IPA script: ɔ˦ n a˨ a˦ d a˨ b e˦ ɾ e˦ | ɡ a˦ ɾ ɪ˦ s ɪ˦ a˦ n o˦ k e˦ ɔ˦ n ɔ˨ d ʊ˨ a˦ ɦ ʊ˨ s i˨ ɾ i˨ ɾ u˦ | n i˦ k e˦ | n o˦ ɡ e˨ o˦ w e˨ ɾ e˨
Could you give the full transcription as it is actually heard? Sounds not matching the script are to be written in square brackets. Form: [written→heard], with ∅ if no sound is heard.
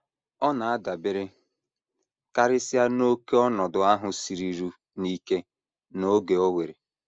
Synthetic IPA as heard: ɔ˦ n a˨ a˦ d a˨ b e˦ ɾ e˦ | [ɡ→k] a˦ ɾ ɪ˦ s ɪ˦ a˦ n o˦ k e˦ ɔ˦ n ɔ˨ d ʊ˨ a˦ ɦ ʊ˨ s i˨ ɾ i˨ ɾ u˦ | n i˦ k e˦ | n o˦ ɡ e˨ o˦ w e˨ ɾ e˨

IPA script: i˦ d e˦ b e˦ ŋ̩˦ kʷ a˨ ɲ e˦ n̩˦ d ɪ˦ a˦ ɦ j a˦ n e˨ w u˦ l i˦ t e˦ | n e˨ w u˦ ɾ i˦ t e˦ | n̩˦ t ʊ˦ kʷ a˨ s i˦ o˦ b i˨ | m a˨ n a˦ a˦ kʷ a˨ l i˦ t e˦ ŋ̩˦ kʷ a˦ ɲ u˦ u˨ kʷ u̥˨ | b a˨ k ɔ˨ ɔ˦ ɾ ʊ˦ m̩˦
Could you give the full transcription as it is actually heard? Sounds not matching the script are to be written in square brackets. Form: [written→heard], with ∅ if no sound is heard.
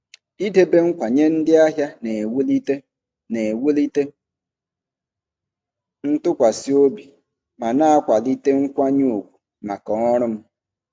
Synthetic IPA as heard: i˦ d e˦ b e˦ ŋ̩˦ kʷ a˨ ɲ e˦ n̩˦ d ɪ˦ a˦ ɦ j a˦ n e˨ w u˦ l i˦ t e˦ | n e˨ w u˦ [ɾ→l] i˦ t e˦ | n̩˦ t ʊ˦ kʷ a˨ s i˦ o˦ b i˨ | m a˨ n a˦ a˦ kʷ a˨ l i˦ t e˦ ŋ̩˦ kʷ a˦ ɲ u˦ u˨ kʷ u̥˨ | [b→m] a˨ k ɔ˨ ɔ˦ ɾ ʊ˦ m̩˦

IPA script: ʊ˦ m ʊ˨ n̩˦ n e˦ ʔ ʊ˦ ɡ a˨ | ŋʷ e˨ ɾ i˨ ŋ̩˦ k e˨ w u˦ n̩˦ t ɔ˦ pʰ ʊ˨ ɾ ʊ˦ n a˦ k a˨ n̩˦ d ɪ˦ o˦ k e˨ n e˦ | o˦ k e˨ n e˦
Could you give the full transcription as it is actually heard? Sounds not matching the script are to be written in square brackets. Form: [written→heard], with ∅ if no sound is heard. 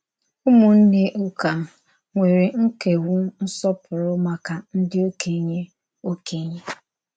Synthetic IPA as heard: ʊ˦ m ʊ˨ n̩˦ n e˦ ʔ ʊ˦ [ɡ→k] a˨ | ŋʷ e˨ ɾ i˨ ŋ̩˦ k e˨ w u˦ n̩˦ [t→s] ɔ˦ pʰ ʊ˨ ɾ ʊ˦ [n→m] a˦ k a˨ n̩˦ d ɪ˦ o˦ k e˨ [n→ɲ] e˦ | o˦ k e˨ [n→ɲ] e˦

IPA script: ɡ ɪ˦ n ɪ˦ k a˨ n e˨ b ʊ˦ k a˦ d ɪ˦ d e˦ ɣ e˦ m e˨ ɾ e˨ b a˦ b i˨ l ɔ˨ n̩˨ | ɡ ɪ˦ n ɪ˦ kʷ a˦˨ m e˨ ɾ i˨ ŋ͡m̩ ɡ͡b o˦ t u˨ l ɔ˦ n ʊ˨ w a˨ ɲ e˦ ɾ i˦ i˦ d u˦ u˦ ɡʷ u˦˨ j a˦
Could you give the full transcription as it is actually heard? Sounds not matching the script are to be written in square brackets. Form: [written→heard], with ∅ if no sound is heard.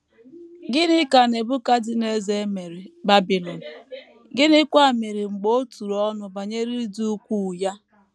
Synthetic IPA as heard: ɡ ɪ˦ n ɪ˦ k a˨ n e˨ b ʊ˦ k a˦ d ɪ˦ [d→n] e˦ [ɣ→z] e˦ m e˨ ɾ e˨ b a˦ b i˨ l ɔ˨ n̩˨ | ɡ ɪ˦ n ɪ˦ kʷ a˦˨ m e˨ ɾ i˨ ŋ͡m̩ ɡ͡b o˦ t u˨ [l→ɾ] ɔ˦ n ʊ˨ [w→b] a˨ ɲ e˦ ɾ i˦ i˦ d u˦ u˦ [ɡʷ→kʷ] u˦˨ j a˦

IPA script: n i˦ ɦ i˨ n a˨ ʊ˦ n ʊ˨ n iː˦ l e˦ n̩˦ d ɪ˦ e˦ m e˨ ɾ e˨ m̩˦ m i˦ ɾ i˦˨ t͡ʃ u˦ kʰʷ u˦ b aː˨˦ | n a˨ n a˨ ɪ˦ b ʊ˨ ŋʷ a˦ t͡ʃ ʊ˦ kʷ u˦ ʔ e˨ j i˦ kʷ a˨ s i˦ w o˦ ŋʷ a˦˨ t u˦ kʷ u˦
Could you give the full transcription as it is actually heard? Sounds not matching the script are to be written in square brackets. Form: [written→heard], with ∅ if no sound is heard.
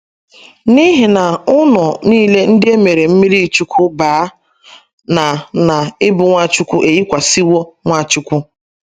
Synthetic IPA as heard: n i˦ ɦ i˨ n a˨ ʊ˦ n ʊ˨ n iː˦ l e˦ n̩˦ d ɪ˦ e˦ m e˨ ɾ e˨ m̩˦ m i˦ ɾ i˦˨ t͡ʃ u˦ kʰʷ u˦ b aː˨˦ | n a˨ n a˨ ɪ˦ b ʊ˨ ŋʷ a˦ t͡ʃ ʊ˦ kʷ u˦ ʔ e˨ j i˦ kʷ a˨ s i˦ w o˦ ŋʷ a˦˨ [t→t͡ʃ] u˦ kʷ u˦

